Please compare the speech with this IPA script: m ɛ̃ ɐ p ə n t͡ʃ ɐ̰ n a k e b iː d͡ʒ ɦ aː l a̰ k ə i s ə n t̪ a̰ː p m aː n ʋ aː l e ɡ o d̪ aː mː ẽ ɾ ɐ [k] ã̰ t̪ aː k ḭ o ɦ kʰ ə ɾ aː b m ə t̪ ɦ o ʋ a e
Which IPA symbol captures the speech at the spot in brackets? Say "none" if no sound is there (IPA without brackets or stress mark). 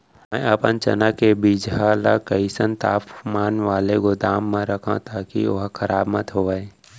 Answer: kʰ